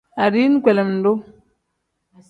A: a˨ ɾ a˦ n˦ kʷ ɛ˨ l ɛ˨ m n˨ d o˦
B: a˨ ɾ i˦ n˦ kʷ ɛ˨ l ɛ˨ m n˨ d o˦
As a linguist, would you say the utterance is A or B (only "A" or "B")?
B